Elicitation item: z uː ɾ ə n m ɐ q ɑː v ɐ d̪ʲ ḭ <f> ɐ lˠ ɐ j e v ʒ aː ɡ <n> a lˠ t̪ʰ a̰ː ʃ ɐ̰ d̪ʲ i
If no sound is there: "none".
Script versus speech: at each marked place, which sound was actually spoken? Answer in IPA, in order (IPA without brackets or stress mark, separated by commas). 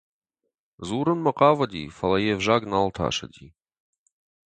f, n